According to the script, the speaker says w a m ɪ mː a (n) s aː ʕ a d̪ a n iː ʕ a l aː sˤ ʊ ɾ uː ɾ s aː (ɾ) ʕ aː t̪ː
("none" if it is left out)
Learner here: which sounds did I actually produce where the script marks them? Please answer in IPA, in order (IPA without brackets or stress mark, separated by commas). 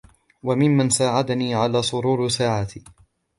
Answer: n, none